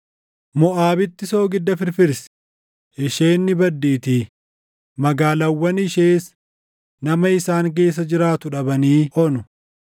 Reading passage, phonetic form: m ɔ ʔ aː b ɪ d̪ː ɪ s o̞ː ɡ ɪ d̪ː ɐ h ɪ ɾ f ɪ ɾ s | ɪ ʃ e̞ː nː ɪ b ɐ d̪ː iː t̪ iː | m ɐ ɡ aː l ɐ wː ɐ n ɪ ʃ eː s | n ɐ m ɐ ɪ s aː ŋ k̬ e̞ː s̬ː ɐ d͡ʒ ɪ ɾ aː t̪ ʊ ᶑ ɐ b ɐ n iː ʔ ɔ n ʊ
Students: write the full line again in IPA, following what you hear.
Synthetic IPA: m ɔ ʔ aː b ɪ t̪ː ɪ s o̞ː ɡ ɪ d̪ː ɐ f ɪ ɾ f ɪ ɾ s | ɪ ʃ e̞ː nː ɪ b ɐ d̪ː iː t̪ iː | m ɐ ɡ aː l ɐ wː ɐ n ɪ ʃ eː s | n ɐ m ɐ ɪ s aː ŋ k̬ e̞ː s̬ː ɐ d͡ʒ ɪ ɾ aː t̪ ʊ ᶑ ɐ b ɐ n iː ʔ ɔ n ʊ

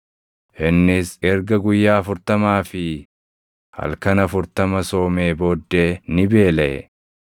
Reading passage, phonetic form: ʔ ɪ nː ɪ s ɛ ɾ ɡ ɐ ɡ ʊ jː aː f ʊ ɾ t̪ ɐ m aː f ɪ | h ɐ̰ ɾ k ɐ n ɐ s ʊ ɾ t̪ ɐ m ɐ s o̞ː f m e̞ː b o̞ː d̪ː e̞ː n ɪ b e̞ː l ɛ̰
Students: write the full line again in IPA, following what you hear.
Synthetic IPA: ʔ ɪ nː ɪ s ɛ ɾ ɡ ɐ ɡ ʊ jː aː f ʊ ɾ t̪ ɐ m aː f ɪ | h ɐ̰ l k ɐ n ɐ f ʊ ɾ t̪ ɐ m ɐ s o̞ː m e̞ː b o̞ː d̪ː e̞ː n ɪ b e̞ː l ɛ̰

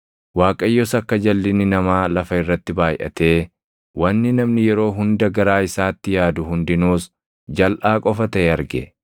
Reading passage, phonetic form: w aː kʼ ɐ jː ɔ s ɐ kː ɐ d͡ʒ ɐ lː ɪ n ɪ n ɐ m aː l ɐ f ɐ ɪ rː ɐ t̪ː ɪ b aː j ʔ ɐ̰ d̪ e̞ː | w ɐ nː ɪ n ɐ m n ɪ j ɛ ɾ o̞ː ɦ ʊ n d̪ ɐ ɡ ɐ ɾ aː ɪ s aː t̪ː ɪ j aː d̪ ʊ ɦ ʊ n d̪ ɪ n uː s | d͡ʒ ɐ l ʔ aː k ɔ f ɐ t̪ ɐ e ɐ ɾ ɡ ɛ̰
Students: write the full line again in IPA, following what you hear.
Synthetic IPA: w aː kʼ ɐ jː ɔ s ɐ kː ɐ d͡ʒ ɐ lː ɪ n ɪ n ɐ m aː l ɐ f ɐ ɪ rː ɐ t̪ː ɪ b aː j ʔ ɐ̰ t̪ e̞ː | w ɐ nː ɪ n ɐ m n ɪ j ɛ ɾ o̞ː ɦ ʊ n d̪ ɐ ɡ ɐ ɾ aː ɪ s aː t̪ː ɪ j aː d̪ ʊ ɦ ʊ n d̪ ɪ n uː s | d͡ʒ ɐ l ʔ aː kʼ ɔ f ɐ t̪ ɐ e ɐ ɾ ɡ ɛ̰

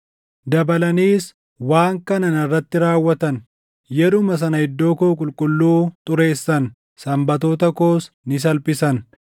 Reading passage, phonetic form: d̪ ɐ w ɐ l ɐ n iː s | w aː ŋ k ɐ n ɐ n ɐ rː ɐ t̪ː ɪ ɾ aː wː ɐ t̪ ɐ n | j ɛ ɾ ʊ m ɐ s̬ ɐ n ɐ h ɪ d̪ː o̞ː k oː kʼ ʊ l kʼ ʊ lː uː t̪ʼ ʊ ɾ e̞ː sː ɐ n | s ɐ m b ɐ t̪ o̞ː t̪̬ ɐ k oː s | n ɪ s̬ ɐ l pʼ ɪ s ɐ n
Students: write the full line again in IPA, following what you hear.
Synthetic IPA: d̪ ɐ b ɐ l ɐ n iː s | w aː ŋ k ɐ n ɐ n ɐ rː ɐ t̪ː ɪ ɾ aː wː ɐ t̪ ɐ n | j ɛ ɾ ʊ m ɐ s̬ ɐ n ɐ h ɪ d̪ː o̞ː k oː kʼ ʊ l kʼ ʊ lː uː t̪ʼ ʊ ɾ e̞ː sː ɐ n | s ɐ m b ɐ t̪ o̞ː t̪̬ ɐ k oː s | n ɪ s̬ ɐ l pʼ ɪ s ɐ n

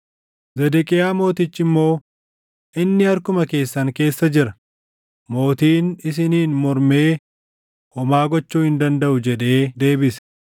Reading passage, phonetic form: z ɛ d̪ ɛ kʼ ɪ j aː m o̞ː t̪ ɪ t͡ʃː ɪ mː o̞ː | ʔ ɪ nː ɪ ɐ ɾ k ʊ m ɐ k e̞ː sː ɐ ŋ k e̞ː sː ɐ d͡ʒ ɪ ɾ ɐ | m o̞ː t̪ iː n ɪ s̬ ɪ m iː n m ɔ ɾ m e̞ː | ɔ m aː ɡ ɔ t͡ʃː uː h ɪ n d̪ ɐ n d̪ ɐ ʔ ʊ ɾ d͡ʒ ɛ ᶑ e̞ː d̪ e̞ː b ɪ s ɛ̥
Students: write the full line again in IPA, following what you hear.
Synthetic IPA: z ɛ d̪ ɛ kʼ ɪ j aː m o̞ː t̪ ɪ t͡ʃː ɪ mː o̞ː | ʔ ɪ nː ɪ ɐ ɾ k ʊ m ɐ k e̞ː sː ɐ ŋ k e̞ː sː ɐ d͡ʒ ɪ ɾ ɐ | m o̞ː t̪ iː n ɪ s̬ ɪ n iː n m ɔ ɾ m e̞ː | ɔ m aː ɡ ɔ t͡ʃː uː h ɪ n d̪ ɐ n d̪ ɐ ʔ ʊ d͡ʒ ɛ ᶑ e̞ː d̪ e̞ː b ɪ s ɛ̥

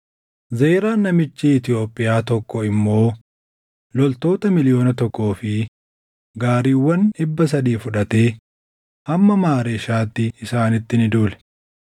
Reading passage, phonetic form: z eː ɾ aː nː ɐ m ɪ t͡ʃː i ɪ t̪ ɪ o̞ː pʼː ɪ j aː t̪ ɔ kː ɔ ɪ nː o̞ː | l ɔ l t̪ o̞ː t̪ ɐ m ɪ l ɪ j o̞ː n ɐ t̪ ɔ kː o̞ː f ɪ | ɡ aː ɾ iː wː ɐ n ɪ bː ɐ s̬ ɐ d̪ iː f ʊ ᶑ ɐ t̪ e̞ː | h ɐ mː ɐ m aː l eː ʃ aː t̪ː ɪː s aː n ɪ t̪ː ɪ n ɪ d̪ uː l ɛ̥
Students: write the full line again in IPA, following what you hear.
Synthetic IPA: z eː ɾ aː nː ɐ m ɪ t͡ʃː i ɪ t̪ ɪ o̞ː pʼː ɪ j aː t̪ ɔ kː ɔ ɪ mː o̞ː | l ɔ l t̪ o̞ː t̪ ɐ m ɪ l ɪ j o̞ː n ɐ t̪ ɔ kː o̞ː f ɪ | ɡ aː ɾ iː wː ɐ n ɪ bː ɐ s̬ ɐ d̪ iː f ʊ ᶑ ɐ t̪ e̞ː | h ɐ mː ɐ m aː ɾ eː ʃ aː t̪ː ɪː s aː n ɪ t̪ː ɪ n ɪ d̪ uː l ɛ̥

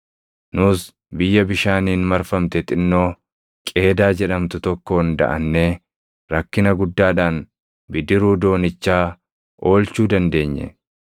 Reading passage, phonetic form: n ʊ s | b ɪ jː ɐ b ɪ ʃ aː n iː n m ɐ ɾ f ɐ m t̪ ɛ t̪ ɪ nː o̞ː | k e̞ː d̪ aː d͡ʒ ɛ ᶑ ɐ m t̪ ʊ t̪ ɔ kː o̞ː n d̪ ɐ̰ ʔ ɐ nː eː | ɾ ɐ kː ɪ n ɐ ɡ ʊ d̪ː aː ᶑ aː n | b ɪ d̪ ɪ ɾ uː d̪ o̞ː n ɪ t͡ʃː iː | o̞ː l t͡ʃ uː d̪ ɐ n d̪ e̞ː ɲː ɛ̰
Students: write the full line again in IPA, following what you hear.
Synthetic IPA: n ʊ s | b ɪ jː ɐ b ɪ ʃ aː n iː n m ɐ ɾ f ɐ m t̪ ɛ t̪ ɪ nː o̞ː | kʼ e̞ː d̪ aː d͡ʒ ɛ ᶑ ɐ m t̪ ʊ t̪ ɔ kː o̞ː n d̪ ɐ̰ ʔ ɐ nː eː | ɾ ɐ kː ɪ n ɐ ɡ ʊ d̪ː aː ᶑ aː n | b ɪ d̪ ɪ ɾ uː d̪ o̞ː n ɪ t͡ʃː aː | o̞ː l t͡ʃ uː d̪ ɐ n d̪ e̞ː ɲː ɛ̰

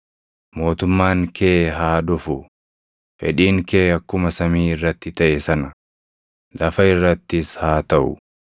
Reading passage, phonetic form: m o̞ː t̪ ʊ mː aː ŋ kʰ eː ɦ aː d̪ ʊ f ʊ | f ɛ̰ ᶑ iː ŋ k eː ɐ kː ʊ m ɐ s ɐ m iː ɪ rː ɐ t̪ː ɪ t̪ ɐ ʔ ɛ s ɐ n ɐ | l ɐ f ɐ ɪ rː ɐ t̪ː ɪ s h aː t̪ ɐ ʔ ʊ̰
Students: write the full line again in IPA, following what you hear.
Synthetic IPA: m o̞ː t̪ ʊ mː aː ŋ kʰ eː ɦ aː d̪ ʊ f ʊ | f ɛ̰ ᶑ iː ŋ k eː ɐ kː ʊ m ɐ s ɐ m iː ɪ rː ɐ t̪ː ɪ t̪ ɐ ʔ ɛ s ɐ n ɐ | l ɐ f ɐ ɪ rː ɐ t̪ː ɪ s h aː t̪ ɐ ʔ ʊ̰

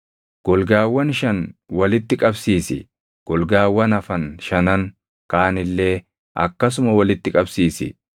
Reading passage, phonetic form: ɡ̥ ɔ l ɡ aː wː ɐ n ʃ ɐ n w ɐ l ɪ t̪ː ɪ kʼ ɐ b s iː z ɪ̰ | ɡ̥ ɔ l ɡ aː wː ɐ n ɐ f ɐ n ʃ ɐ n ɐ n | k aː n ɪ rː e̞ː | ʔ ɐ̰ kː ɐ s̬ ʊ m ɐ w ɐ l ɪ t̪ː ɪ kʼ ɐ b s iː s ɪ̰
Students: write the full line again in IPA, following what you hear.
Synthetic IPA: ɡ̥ ɔ l ɡ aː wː ɐ n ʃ ɐ n w ɐ l ɪ t̪ː ɪ kʼ ɐ b s iː s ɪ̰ | ɡ̥ ɔ l ɡ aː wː ɐ n ɐ f ɐ n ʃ ɐ n ɐ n | k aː n ɪ lː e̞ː | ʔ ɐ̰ kː ɐ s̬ ʊ m ɐ w ɐ l ɪ t̪ː ɪ kʼ ɐ b s iː s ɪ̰

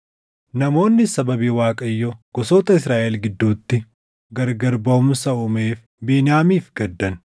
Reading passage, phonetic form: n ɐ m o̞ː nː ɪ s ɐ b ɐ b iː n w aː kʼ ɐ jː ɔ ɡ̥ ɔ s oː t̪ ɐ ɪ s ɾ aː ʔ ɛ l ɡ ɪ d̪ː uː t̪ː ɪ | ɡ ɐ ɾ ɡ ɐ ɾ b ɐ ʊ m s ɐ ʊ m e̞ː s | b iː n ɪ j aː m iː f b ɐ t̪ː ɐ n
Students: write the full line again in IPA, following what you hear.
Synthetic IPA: n ɐ m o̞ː nː ɪ s ɐ b ɐ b iː w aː kʼ ɐ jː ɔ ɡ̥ ɔ s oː t̪ ɐ ɪ s ɾ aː ʔ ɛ l ɡ ɪ d̪ː uː t̪ː ɪ | ɡ ɐ ɾ ɡ ɐ ɾ b ɐ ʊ m s ɐ ʊ m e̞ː f | b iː n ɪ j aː m iː f ɡ ɐ d̪ː ɐ n

